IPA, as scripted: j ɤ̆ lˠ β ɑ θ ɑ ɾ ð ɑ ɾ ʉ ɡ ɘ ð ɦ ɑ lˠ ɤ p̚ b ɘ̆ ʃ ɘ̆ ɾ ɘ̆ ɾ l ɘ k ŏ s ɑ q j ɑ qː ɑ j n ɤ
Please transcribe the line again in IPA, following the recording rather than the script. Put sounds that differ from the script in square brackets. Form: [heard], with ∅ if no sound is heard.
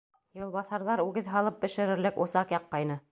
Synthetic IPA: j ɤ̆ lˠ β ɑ θ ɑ ɾ ð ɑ ɾ ʉ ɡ ɘ ð ɦ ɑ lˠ ɤ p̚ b ɘ̆ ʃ ɘ̆ ɾ ɘ̆ ɾ l ɘ k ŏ s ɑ q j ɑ qː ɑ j n ɤ